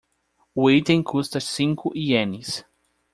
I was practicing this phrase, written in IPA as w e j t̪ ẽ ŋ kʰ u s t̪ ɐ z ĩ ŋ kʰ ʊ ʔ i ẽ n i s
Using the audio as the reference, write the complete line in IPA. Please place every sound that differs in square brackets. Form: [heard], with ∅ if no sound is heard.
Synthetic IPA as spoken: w e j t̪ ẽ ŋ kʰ u s t̪ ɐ [s] ĩ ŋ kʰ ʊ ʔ i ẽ n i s